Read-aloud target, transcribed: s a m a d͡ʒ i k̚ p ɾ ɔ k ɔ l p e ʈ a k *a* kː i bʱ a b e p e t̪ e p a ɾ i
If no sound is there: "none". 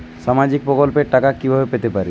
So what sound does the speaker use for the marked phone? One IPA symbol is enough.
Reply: a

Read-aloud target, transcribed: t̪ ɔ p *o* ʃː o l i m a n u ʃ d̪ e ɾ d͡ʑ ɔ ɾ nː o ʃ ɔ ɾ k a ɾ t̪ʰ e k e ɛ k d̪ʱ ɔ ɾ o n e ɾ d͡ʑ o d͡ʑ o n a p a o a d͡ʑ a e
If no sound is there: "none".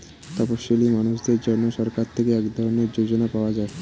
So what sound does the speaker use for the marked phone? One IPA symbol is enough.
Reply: o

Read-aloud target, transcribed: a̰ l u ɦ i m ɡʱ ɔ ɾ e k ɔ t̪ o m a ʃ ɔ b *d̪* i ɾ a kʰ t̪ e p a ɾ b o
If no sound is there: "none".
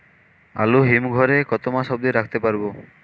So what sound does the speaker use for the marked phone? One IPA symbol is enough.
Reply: d̪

